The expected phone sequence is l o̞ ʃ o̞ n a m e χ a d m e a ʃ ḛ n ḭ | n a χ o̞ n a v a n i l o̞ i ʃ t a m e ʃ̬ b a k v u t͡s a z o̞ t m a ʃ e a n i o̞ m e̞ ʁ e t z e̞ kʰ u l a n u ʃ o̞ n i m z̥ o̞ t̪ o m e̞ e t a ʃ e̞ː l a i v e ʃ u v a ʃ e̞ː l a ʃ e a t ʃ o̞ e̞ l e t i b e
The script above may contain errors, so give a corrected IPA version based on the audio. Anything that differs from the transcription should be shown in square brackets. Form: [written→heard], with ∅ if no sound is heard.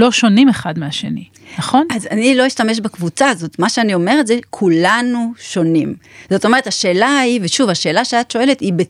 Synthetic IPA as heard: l o̞ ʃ o̞ n [a→i] m e χ a d m e a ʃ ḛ n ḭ | n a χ o̞ n a [v→z] a n i l o̞ i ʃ t a m e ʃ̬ b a k v u t͡s a z o̞ t m a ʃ e a n i o̞ m e̞ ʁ e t z e̞ kʰ u l a n u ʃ o̞ n i m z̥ o̞ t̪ o m e̞ e t a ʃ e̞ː l a i v e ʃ u v a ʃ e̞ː l a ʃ e a t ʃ o̞ e̞ l e t i b e